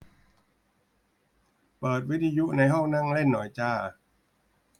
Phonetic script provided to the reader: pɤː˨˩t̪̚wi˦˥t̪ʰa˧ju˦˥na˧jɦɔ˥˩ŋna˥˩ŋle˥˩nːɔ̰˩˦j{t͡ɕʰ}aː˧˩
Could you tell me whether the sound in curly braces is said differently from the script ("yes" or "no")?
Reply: yes